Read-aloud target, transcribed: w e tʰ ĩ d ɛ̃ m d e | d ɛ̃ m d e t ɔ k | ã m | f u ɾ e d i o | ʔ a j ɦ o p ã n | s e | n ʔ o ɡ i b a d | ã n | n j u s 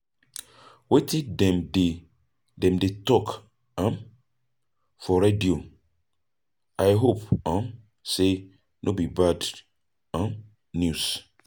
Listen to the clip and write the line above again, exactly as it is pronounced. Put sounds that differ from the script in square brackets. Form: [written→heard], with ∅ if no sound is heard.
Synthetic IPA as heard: w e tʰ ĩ d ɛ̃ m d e | d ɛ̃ m d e t ɔ k | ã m | f [u→ɔ] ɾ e d i o | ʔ a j ɦ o p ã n | s e | n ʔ o [ɡ→b] i b a d | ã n | n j u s